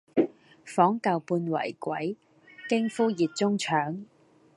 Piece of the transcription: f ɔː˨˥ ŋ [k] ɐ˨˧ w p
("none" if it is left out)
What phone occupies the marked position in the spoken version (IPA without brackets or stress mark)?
k